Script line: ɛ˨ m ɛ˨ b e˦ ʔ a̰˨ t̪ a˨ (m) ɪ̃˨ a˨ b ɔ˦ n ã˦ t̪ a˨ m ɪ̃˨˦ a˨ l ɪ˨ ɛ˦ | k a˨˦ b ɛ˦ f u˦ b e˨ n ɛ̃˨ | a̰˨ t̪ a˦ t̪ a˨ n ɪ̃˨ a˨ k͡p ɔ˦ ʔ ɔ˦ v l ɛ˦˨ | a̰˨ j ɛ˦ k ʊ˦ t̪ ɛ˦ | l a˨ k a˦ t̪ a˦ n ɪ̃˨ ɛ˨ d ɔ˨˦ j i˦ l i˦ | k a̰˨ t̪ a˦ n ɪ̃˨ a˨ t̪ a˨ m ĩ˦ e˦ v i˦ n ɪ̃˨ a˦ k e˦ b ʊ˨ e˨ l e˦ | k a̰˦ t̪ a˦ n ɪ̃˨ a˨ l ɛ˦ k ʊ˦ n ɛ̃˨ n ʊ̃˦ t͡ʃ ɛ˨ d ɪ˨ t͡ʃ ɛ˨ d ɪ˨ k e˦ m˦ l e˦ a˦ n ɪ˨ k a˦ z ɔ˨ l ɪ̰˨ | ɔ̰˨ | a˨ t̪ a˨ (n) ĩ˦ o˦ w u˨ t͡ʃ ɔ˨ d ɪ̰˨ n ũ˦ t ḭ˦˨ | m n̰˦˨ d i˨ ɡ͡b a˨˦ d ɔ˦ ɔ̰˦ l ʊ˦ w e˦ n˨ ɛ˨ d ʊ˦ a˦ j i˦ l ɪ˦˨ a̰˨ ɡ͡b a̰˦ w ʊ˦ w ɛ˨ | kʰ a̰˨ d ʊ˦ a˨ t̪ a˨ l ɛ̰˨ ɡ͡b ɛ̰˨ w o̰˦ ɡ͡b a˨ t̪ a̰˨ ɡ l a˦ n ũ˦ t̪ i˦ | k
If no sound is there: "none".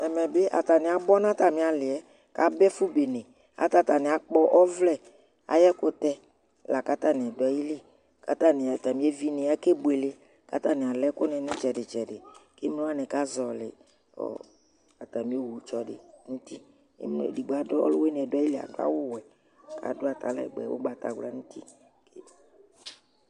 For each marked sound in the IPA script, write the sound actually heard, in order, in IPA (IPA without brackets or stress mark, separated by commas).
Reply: n, m